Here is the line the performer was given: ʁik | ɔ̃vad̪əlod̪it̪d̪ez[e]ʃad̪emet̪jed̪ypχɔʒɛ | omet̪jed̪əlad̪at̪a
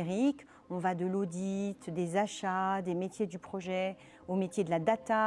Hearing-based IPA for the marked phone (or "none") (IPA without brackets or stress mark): a